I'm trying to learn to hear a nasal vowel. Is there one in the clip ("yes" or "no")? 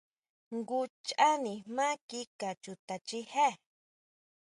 no